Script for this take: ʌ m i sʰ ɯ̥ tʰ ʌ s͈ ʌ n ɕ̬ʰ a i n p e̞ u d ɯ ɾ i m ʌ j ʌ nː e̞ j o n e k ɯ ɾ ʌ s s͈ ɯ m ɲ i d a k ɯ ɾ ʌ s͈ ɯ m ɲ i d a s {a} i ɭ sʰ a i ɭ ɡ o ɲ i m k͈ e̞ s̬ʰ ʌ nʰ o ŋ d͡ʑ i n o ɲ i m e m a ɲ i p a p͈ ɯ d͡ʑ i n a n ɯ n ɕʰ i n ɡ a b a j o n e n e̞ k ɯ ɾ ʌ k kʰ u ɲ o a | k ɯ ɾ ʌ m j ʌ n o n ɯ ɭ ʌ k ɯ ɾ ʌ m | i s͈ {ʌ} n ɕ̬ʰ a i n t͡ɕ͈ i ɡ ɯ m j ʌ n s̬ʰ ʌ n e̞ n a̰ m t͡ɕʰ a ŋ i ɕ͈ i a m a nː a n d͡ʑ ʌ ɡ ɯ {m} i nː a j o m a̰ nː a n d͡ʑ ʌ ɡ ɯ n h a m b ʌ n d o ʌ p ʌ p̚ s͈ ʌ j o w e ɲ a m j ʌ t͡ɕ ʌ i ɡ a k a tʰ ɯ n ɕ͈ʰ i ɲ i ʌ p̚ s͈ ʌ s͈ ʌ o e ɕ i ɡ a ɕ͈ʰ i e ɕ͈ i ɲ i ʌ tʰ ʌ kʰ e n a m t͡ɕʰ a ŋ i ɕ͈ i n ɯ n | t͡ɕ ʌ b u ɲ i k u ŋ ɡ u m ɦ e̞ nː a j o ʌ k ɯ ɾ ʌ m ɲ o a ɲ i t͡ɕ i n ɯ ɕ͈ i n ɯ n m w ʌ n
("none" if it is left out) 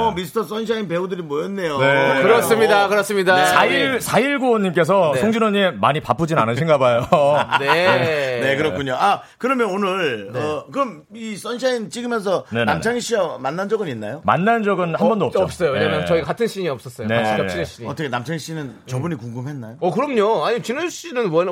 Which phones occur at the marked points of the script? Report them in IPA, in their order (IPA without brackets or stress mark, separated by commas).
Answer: a, ʌ, n